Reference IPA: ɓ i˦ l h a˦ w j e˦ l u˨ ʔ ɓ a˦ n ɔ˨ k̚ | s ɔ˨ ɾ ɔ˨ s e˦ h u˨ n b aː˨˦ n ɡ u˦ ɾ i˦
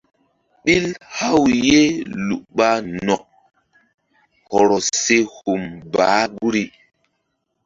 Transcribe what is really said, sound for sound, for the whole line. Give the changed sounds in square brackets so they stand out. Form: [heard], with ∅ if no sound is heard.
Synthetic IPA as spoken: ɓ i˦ l h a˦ w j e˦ l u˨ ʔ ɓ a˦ n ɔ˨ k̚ | [h] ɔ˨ ɾ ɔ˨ s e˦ h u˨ [m] b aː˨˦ [∅] ɡ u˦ ɾ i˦

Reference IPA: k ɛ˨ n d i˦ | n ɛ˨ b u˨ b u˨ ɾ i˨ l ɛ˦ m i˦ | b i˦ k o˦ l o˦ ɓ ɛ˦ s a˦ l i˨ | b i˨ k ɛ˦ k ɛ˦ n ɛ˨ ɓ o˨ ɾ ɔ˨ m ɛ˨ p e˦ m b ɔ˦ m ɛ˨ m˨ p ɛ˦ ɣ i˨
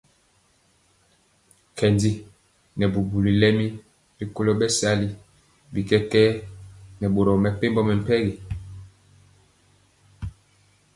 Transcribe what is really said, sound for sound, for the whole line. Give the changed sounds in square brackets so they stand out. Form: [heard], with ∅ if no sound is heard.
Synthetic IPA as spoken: k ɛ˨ n d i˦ | n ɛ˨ b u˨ b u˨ [l] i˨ l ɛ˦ m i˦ | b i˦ k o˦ l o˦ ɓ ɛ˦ s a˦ l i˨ | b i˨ k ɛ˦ k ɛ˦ n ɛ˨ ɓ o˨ ɾ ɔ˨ m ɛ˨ p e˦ m b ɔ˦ m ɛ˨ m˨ p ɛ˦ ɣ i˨

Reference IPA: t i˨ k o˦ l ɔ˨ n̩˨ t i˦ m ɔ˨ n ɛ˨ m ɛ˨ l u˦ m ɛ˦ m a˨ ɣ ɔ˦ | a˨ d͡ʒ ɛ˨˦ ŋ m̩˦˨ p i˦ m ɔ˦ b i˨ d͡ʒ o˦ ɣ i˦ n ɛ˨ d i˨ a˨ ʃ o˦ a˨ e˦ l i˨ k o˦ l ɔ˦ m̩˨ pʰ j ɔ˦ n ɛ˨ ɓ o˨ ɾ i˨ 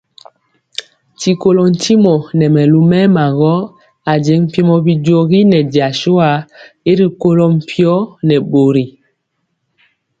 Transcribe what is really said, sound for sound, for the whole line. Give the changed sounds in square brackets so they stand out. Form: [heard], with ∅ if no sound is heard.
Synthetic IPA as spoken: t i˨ k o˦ l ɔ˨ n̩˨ t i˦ m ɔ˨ n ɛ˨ m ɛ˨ l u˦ m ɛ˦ m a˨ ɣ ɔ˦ | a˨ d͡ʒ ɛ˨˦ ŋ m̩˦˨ p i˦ m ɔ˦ b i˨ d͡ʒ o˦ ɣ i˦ n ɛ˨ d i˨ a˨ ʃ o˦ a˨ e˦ [ɾ] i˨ k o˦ l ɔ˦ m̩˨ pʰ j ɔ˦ n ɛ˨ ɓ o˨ ɾ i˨

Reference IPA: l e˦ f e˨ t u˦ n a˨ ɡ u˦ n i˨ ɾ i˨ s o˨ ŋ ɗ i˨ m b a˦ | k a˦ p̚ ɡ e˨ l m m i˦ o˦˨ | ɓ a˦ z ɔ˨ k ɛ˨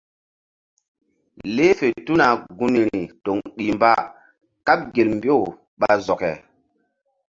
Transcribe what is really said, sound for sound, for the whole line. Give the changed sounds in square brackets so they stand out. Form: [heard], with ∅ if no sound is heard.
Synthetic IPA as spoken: l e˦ f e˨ t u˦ n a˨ ɡ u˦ n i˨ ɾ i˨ [t] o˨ ŋ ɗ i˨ m b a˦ | k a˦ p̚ ɡ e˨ l m [b] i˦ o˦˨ | ɓ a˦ z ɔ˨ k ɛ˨

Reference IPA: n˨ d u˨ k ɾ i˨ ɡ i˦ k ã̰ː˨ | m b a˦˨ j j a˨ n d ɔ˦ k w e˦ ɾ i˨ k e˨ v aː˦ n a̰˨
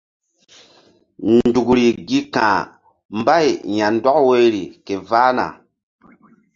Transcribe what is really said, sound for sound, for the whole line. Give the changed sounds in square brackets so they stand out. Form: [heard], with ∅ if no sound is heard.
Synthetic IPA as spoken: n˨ d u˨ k ɾ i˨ ɡ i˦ k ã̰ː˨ | m b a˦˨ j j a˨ n d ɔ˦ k w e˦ ɾ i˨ k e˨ v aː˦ n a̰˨

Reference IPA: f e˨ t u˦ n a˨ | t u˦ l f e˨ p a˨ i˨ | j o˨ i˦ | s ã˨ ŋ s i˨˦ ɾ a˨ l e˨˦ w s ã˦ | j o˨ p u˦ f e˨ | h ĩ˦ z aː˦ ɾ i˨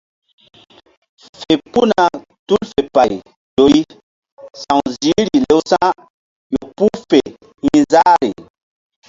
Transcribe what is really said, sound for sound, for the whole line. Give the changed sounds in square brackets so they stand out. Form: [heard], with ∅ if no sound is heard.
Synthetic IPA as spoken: f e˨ [p] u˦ n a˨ | t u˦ l f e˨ p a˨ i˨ | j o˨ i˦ | s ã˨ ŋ [z] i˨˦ ɾ [i˨] l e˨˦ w s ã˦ | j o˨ p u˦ f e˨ | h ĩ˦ z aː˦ ɾ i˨

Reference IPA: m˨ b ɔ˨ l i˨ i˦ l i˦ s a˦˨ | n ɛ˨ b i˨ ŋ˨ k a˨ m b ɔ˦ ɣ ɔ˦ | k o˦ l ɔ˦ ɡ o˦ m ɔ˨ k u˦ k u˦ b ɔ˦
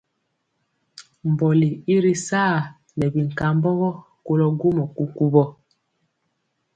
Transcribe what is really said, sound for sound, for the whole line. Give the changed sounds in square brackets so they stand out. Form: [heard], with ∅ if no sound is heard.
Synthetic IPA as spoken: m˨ b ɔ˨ l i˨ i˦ [ɾ] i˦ s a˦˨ | n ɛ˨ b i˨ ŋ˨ k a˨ m b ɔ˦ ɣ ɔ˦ | k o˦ l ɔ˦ ɡ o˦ m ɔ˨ k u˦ k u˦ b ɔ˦

